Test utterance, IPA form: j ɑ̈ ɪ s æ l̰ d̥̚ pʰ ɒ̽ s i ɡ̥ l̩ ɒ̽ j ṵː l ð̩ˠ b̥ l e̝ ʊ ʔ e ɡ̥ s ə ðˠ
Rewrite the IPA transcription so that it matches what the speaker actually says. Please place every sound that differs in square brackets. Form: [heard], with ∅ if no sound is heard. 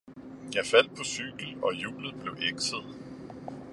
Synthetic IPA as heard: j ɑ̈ ɪ [f] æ l̰ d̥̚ pʰ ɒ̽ s [y] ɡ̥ l̩ ɒ̽ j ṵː l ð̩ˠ b̥ l e̝ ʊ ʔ e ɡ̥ s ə ðˠ